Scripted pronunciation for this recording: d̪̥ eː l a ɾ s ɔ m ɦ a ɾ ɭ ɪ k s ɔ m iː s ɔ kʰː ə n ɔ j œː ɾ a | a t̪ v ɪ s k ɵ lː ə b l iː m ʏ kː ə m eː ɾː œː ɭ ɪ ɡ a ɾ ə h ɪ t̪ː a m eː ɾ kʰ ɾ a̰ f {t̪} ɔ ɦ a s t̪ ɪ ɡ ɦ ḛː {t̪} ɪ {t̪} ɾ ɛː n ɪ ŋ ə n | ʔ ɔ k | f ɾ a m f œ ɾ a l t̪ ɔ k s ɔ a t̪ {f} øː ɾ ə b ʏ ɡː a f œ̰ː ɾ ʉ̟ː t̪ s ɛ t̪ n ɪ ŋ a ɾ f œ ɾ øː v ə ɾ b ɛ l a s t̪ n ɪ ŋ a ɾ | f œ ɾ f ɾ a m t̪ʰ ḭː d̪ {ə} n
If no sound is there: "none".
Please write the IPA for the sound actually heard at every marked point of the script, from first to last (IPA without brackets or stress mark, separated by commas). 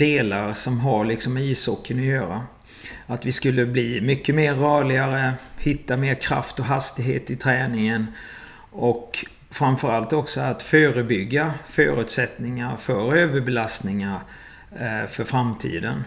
t̪, t̪, t̪ʰ, f, ə